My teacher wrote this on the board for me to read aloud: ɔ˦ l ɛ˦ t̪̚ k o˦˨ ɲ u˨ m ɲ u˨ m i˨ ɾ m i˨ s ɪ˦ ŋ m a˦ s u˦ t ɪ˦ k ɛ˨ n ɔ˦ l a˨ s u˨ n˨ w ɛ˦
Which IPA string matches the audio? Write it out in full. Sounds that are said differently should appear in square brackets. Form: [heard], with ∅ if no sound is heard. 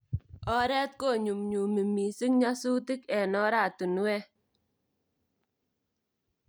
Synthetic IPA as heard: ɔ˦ [ɾ] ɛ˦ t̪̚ k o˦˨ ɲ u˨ m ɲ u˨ m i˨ [∅] m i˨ s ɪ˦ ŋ [ɲ] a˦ s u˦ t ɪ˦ k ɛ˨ n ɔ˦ [ɾ] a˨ [t] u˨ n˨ w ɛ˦